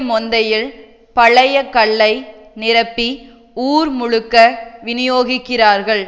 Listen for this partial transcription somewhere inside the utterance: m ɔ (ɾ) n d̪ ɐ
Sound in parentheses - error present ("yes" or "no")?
yes